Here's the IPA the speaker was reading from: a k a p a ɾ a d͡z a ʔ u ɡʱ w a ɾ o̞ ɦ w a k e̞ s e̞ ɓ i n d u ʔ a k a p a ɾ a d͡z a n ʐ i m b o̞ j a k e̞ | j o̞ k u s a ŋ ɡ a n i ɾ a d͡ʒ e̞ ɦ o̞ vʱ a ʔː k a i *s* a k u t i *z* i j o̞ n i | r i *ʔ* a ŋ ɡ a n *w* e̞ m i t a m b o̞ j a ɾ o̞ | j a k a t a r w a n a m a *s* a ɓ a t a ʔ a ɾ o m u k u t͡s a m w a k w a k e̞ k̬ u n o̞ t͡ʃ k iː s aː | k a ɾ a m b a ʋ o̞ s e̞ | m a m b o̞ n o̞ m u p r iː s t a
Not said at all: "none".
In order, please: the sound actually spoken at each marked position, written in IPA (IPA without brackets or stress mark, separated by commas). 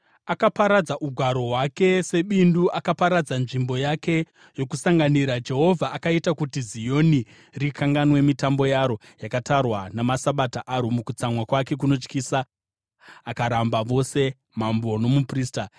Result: t, z, k, w, s